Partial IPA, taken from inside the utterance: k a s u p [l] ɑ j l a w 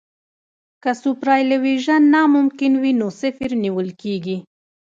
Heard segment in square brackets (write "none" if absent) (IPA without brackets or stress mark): ɾ